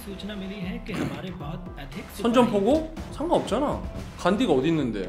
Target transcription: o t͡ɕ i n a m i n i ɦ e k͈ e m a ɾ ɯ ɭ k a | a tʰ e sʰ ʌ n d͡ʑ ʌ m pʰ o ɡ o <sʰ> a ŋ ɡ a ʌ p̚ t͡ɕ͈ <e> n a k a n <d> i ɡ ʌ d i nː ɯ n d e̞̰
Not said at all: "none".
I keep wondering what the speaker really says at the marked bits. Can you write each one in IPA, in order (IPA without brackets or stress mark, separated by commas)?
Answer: sʰ, a, d